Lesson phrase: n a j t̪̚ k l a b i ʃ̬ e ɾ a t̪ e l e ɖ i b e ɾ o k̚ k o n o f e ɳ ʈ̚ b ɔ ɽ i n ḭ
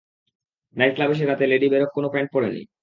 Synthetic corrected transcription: n a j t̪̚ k l a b e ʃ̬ e ɾ a t̪ e l e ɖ i b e ɾ o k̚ k o n o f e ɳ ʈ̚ p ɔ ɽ e n ḭ